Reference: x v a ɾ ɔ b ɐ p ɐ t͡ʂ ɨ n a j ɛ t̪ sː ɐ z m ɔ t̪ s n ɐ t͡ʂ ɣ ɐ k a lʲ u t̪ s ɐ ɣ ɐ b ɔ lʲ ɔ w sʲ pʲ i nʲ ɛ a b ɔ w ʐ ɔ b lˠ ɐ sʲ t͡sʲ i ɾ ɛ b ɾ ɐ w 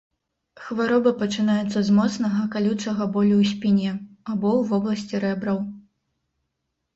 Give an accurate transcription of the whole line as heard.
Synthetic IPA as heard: x v a ɾ ɔ b ɐ p ɐ t͡ʂ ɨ n a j ɛ t̪ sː ɐ z m ɔ t̪ s n ɐ ɣ ɐ k a lʲ u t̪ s ɐ ɣ ɐ b ɔ lʲ u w sʲ pʲ i nʲ ɛ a b ɔ w v ɔ b lˠ ɐ sʲ t͡sʲ i ɾ ɛ b ɾ ɐ w